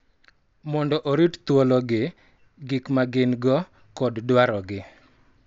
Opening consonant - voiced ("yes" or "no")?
yes